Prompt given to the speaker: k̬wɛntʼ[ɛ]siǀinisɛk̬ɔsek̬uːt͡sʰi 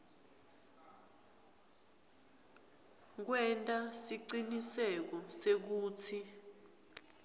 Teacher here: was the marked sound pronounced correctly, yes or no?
no